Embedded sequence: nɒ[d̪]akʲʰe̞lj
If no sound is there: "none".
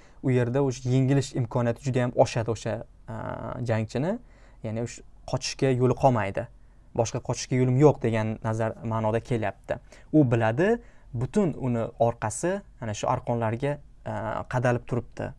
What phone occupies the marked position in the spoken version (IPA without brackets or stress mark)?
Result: d̪